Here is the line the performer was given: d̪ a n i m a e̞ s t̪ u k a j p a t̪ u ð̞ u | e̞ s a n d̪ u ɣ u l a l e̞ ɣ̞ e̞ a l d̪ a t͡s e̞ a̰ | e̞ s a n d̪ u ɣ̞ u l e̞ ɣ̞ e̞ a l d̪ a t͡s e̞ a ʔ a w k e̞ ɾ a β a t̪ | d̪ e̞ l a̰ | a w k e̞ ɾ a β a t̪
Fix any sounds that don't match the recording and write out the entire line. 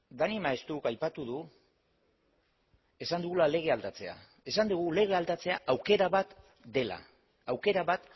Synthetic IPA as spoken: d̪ a n i m a e̞ s t̪ u k a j p a t̪ u ð̞ u | e̞ s a n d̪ u ɣ u l a l e̞ ɣ̞ e̞ a l d̪ a t͡s e̞ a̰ | e̞ s a n d̪ u ɣ̞ u l e̞ ɣ̞ e̞ a l d̪ a t͡s e̞ a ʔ a w k e̞ ɾ a β a t̪ | d̪ e̞ l a̰ | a w k e̞ ɾ a β a t̪